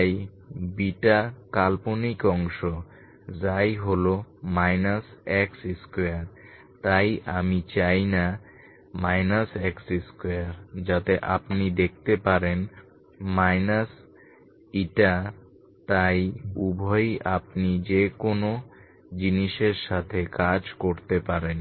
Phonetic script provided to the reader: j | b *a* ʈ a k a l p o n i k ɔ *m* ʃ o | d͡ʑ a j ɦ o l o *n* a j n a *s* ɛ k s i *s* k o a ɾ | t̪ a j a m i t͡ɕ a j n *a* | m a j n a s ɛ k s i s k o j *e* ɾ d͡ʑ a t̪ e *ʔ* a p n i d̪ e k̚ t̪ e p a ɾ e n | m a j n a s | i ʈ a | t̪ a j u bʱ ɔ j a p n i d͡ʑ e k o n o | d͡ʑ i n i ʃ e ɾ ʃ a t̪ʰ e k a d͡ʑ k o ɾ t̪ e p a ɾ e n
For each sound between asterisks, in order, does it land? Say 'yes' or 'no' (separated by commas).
no, no, no, yes, yes, yes, no, yes